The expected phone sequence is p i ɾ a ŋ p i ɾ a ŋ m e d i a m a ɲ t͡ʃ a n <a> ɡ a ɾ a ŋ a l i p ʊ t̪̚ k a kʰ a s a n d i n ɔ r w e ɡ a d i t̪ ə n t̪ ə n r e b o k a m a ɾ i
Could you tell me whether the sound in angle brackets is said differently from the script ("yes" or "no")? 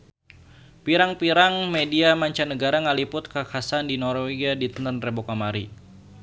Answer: yes